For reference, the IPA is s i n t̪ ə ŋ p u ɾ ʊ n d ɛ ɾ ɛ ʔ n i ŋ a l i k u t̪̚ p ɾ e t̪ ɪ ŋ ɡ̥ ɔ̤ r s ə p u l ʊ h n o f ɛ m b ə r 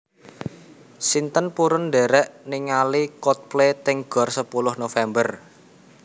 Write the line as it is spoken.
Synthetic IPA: s i n t̪ ə n p u ɾ ʊ n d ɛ ɾ ɛ ʔ n i ŋ a l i k ɔ t̪̚ p l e t̪ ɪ ŋ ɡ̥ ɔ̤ r s ə p u l ʊ h n o f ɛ m b ə r